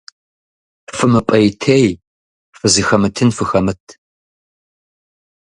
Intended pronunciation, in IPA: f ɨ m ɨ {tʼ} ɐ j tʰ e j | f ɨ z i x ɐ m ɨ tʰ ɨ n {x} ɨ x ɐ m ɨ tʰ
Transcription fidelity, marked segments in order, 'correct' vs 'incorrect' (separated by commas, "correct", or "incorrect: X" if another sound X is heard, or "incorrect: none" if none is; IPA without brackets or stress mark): incorrect: pʼ, incorrect: f